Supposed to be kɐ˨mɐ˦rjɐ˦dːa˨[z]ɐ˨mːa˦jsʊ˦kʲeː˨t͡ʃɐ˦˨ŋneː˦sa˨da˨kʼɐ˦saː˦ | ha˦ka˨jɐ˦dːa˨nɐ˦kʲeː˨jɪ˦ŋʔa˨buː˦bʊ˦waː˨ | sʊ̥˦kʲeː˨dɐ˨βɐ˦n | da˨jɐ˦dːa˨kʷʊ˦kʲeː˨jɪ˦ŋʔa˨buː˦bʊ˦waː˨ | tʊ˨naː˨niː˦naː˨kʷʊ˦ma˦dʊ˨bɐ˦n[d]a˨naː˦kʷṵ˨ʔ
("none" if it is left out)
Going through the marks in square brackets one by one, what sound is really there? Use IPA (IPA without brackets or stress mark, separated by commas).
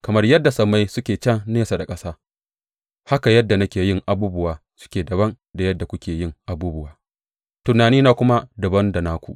s, d